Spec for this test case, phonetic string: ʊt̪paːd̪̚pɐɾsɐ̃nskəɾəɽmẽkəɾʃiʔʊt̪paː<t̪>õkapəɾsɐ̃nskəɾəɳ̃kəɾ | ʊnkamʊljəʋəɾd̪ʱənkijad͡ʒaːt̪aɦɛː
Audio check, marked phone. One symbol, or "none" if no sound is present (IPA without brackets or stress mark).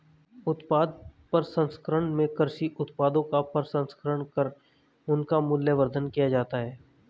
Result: d̪